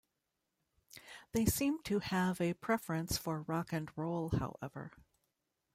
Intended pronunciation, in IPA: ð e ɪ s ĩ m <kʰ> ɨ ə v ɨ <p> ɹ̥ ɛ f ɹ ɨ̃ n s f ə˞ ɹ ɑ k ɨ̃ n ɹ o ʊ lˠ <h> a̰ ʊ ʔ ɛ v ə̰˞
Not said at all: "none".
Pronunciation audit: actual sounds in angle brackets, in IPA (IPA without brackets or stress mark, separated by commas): tʰ, pʰ, h